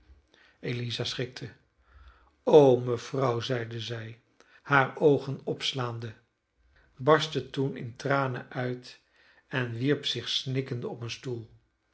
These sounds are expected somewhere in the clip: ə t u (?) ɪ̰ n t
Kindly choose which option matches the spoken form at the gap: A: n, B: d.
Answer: A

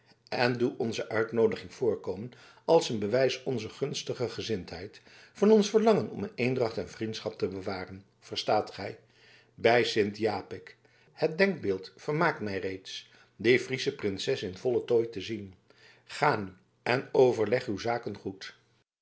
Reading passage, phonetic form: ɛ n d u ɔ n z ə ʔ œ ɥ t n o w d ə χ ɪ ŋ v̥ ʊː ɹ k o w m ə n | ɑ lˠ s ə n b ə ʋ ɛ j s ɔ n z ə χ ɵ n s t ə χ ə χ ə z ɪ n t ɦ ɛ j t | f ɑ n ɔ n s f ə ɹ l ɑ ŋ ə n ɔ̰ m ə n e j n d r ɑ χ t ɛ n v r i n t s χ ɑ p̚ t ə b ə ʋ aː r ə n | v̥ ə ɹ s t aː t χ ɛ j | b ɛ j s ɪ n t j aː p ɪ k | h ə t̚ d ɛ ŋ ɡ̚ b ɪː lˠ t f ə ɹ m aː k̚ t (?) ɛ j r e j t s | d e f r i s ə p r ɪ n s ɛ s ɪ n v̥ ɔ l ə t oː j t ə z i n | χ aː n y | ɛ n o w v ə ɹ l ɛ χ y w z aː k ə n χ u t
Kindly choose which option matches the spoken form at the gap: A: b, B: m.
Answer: B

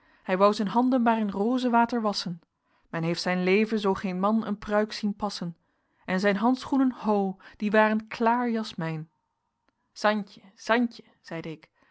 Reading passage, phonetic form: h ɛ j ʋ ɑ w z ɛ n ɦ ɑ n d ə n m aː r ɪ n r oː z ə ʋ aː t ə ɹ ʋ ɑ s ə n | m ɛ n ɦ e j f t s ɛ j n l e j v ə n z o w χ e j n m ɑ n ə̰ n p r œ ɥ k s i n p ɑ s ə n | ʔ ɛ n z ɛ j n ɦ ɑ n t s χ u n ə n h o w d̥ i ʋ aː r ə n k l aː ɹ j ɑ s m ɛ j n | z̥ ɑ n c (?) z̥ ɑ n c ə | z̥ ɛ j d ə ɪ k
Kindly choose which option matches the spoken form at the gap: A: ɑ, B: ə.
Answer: B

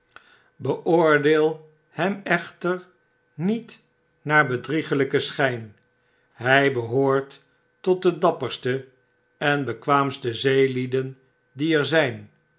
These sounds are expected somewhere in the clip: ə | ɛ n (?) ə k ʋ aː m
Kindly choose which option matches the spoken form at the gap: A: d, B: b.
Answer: B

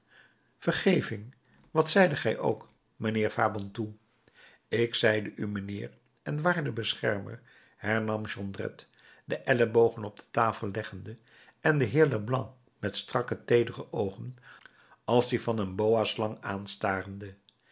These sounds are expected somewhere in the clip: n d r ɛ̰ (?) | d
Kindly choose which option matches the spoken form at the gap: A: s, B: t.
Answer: B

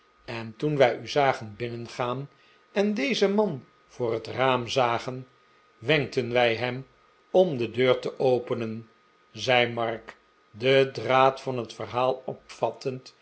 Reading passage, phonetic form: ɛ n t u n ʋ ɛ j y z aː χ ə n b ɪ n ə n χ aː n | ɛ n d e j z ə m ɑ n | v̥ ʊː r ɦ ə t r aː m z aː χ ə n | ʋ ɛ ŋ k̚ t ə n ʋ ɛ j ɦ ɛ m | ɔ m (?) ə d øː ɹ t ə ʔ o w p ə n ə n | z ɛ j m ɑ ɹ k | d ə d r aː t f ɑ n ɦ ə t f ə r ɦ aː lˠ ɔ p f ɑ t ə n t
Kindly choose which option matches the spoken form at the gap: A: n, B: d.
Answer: B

